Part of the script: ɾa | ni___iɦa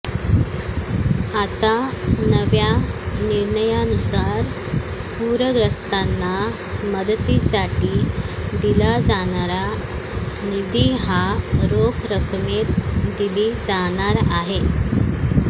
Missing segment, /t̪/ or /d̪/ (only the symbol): d̪